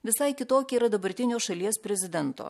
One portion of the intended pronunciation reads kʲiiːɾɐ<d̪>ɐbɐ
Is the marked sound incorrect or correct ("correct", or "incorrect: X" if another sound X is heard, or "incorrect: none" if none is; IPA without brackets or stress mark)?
correct